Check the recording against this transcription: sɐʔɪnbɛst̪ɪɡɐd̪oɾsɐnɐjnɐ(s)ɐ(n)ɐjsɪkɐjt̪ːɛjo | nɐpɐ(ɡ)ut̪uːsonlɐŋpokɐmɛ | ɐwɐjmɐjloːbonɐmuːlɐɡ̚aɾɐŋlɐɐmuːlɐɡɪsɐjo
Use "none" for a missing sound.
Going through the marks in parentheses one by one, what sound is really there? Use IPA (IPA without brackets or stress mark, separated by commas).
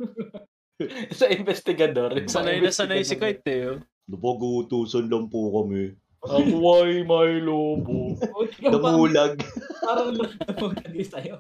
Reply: s, n, ɡ